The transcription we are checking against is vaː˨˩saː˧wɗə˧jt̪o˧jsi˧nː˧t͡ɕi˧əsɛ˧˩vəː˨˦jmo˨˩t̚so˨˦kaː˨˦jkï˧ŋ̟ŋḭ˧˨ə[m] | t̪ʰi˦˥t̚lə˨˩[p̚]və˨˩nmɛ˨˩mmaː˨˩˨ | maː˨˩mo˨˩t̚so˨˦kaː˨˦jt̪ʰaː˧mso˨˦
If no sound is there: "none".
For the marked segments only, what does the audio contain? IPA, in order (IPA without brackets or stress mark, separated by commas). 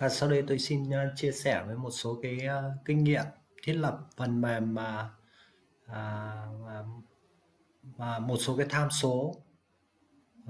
m, p̚